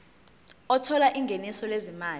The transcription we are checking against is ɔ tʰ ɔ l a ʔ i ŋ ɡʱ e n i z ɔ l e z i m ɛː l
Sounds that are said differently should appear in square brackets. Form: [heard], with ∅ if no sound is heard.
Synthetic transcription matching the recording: ɔ tʰ ɔ l a ʔ i ŋ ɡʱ e n i [s] ɔ l e z i m [aː] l